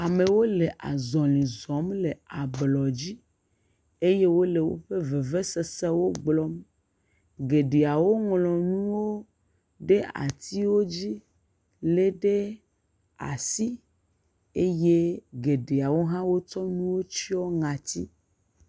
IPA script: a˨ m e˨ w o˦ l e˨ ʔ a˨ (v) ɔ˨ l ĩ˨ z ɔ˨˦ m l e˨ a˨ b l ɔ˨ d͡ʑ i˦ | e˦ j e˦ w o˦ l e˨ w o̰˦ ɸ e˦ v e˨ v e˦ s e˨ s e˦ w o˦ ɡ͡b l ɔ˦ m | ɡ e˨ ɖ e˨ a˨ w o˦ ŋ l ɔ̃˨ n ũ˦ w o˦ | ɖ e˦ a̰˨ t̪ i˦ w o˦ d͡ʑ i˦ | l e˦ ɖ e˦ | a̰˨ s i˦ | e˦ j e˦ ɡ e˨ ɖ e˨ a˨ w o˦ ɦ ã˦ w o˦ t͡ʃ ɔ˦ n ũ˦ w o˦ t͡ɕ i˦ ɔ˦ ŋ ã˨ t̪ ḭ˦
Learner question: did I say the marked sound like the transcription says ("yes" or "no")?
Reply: no